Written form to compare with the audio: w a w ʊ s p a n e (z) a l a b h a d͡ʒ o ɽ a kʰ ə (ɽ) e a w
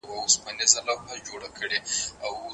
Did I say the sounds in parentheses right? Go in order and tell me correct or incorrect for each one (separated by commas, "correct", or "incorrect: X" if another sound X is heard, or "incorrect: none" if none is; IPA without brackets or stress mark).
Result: correct, correct